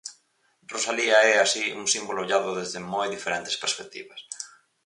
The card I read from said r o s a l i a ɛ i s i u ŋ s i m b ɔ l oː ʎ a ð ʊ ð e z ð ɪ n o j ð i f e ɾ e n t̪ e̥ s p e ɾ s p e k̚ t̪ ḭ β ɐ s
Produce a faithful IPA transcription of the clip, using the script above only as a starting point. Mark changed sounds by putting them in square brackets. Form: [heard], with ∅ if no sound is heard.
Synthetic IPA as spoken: r o s a l i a ɛ [a] s i u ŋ s i m b [o] l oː ʎ a ð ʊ ð e z ð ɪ [m] o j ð i f e ɾ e n t̪ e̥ s p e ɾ s p e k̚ t̪ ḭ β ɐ s